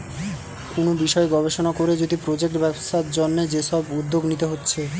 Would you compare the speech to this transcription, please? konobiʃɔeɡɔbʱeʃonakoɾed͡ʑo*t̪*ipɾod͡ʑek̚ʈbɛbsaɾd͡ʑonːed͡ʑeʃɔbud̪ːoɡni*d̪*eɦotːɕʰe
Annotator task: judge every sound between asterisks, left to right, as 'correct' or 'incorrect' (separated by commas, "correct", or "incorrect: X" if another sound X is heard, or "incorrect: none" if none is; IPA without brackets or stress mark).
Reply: incorrect: d̪, incorrect: t̪